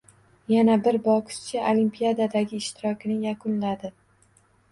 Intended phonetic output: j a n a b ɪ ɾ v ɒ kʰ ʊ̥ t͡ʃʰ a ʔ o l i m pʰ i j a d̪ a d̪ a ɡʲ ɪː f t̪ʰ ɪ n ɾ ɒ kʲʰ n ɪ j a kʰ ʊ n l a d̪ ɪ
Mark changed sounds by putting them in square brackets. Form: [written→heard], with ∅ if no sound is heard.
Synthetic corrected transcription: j a n a b ɪ ɾ [v→b] ɒ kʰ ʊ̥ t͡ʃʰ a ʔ o l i m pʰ i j a d̪ a d̪ a ɡʲ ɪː [f→ʃ] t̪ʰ ɪ [n→∅] ɾ ɒ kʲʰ n ɪ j a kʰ ʊ n l a d̪ ɪ